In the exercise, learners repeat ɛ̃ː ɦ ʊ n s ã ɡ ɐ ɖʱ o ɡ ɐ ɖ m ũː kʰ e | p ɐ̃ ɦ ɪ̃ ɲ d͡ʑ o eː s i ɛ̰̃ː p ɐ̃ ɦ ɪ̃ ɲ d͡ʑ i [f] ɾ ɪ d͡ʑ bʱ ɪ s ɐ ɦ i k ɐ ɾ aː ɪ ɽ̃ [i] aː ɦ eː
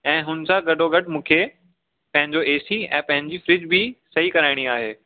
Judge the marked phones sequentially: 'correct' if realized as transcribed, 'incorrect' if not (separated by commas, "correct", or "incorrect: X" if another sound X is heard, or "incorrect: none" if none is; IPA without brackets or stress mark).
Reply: correct, correct